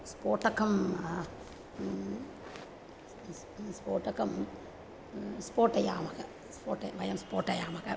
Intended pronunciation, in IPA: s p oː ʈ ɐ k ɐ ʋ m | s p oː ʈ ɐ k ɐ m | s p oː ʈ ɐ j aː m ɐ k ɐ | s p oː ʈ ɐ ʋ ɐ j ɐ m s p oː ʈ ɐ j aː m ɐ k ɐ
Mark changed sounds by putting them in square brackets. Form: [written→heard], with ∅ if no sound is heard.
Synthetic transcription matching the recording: s p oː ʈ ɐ k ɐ [ʋ→∅] m | s p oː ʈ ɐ k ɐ m | s p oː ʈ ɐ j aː m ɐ k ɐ | s p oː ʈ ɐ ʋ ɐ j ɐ m s p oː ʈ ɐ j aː m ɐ k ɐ